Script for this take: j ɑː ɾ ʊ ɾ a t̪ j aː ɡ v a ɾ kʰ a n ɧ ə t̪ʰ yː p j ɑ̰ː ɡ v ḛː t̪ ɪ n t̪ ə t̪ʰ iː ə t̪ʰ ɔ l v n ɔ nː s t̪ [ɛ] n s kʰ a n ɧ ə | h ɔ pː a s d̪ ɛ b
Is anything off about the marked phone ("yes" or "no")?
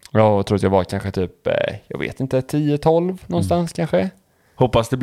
yes